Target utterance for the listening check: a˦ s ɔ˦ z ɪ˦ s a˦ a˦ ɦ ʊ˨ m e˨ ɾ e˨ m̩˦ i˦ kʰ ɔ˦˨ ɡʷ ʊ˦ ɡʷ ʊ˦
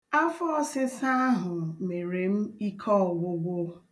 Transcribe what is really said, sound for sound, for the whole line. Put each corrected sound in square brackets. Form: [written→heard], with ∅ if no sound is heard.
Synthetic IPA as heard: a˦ [s→f] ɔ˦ [z→s] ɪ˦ s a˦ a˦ ɦ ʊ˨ m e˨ ɾ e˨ m̩˦ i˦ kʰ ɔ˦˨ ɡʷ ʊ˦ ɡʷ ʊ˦